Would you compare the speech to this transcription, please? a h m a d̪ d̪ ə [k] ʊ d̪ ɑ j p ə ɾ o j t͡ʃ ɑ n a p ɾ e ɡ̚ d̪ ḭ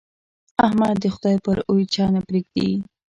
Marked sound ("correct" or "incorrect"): incorrect